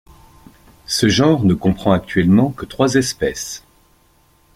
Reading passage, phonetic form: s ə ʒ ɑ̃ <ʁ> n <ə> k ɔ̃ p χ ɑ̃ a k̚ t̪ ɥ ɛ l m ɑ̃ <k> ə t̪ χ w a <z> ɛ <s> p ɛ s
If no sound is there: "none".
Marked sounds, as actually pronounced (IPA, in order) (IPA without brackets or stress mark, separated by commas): ʁ, ə, k, z, s